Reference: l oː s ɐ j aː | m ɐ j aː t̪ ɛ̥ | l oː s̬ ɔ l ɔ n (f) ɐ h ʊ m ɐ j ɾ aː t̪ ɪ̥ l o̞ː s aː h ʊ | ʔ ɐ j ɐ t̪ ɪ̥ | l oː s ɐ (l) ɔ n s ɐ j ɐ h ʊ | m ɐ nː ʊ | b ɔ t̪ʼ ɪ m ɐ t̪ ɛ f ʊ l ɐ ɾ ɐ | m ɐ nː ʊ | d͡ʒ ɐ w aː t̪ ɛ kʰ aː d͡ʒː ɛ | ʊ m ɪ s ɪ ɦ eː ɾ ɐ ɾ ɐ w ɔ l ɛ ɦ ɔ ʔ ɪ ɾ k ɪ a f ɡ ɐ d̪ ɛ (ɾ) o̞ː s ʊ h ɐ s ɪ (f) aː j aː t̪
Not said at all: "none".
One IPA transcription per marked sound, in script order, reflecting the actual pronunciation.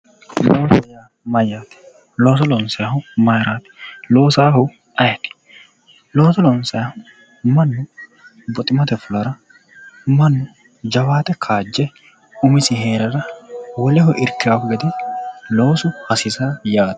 s, l, l, s

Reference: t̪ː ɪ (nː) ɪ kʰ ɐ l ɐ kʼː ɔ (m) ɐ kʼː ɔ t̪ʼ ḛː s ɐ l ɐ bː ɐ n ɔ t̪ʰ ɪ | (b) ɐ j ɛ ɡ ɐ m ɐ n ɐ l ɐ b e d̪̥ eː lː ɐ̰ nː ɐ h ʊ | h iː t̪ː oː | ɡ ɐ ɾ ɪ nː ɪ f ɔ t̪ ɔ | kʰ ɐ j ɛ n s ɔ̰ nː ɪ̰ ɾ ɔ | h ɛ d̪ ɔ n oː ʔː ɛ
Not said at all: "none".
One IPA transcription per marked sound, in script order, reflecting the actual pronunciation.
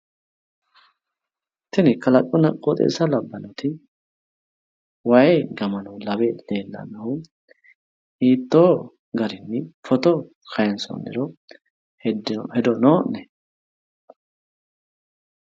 n, n, w

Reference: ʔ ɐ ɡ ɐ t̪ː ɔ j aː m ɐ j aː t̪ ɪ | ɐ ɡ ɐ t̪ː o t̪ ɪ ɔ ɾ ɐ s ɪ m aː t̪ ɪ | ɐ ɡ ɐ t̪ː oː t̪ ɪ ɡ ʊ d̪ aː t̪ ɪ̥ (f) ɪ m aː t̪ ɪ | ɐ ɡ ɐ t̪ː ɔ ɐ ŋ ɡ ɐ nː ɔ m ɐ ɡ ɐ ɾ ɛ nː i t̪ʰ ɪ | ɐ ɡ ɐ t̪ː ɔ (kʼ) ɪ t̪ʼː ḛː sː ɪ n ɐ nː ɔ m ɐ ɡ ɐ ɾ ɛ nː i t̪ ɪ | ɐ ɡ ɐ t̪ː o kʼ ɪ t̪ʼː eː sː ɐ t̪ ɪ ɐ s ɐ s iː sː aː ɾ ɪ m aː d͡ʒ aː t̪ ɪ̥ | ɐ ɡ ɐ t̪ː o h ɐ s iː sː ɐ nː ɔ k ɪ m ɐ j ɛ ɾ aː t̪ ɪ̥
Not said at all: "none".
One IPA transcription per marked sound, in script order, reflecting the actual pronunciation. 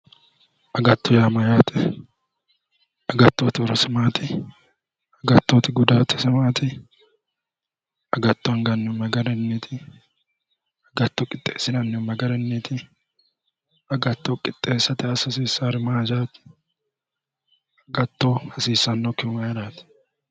s, kʼ

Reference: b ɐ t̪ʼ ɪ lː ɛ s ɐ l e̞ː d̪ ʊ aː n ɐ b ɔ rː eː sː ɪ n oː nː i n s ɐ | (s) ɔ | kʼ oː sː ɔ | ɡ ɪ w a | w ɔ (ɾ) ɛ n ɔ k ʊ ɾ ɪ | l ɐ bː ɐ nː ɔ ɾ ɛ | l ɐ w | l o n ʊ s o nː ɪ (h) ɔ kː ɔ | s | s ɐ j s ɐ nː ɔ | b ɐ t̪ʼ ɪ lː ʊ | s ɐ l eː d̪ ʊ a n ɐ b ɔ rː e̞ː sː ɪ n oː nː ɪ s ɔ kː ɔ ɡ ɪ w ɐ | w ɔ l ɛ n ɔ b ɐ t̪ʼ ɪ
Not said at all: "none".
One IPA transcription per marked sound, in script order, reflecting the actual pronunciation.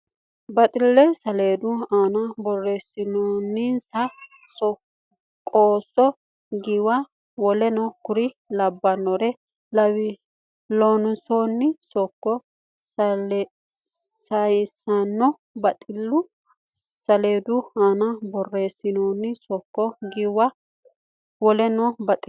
s, l, s

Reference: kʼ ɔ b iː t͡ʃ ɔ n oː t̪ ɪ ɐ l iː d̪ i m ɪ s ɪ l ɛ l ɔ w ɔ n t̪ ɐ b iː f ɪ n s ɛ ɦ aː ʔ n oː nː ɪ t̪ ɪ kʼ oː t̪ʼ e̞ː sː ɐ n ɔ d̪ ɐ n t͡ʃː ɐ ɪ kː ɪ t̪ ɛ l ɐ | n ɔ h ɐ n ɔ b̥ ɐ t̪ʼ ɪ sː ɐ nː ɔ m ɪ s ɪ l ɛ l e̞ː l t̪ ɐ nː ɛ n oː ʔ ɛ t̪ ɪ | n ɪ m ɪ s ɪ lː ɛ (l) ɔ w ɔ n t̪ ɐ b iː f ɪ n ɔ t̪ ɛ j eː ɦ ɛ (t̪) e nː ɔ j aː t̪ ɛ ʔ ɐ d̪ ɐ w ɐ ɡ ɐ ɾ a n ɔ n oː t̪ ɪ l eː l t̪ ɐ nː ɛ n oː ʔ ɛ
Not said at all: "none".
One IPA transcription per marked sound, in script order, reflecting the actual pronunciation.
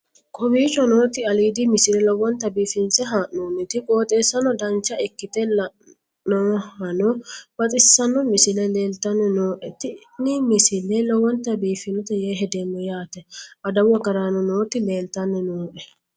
l, d̪

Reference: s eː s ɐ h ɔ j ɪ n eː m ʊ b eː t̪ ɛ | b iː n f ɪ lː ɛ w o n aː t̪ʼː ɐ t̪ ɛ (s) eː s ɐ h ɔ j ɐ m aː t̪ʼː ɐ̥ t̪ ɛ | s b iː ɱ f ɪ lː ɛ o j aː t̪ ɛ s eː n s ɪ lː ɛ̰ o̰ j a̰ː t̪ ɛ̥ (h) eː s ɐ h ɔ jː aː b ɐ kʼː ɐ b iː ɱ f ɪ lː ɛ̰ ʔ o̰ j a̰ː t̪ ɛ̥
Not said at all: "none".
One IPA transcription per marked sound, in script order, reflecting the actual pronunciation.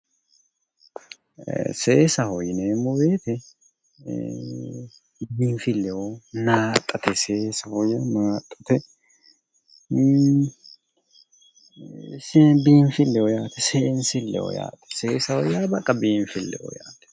s, s

